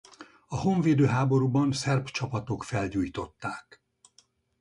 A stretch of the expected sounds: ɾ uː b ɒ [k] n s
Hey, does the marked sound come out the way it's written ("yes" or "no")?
no